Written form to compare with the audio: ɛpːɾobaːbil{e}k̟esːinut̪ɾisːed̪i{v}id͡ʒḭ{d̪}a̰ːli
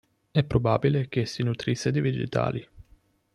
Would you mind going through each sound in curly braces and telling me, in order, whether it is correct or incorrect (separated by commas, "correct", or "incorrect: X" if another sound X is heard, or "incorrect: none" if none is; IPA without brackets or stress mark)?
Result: correct, correct, incorrect: t̪